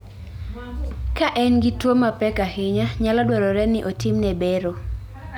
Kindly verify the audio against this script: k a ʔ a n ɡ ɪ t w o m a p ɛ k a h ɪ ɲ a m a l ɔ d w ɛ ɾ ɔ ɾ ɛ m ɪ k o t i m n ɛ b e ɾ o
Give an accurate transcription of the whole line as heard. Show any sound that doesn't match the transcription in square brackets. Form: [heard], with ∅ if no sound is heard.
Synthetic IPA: k a ʔ [ɛ] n ɡ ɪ t w o m a p ɛ k a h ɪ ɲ a [ɲ] a l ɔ d w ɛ ɾ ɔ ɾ ɛ [n] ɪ [ʔ] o t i m n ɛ b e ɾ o